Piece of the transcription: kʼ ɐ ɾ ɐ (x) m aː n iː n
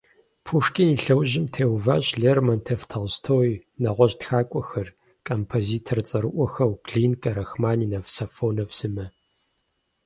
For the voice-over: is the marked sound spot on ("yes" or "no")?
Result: yes